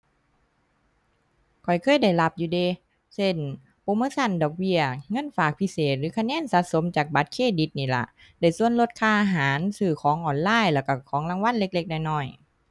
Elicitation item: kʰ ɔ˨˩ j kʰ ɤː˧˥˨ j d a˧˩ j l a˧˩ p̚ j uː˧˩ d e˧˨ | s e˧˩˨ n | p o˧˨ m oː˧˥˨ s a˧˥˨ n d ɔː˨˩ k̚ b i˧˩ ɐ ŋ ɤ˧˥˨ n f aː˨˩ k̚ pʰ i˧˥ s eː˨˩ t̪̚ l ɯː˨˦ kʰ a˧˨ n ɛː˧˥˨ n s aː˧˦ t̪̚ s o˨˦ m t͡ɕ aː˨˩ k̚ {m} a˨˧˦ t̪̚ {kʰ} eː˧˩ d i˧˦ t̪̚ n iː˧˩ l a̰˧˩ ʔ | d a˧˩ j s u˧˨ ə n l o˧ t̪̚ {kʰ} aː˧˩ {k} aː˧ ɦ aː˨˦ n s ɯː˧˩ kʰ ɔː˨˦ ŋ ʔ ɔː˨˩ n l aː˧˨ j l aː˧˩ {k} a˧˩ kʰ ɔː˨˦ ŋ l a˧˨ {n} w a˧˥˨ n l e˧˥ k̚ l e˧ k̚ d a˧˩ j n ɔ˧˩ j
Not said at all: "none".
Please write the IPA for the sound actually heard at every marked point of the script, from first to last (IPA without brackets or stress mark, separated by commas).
b, kʰ, kʰ, ʔ, k, ŋ